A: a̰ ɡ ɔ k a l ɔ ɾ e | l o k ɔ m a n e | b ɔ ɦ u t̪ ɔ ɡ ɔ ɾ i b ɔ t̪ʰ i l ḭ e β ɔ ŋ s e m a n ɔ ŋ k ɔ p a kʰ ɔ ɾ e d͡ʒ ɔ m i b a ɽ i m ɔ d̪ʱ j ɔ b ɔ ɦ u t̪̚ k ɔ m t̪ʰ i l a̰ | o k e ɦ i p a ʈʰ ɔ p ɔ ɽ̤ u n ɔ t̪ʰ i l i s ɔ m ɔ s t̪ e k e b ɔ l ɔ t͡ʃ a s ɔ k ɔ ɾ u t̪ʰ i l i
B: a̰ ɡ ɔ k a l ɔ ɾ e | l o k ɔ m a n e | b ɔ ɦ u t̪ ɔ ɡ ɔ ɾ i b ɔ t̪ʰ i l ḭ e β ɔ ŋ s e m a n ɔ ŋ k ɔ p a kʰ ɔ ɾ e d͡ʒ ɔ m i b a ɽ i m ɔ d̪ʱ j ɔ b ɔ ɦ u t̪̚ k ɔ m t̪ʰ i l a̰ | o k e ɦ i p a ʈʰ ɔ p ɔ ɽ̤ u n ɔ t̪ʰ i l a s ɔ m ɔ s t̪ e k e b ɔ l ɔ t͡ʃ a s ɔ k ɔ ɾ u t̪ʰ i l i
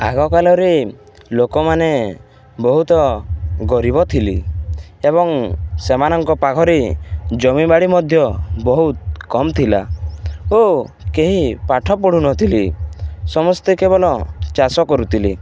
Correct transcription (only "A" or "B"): A